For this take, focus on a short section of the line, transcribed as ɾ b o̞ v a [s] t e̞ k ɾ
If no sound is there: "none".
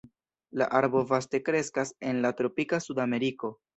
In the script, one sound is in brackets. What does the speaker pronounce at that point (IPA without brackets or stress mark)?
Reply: s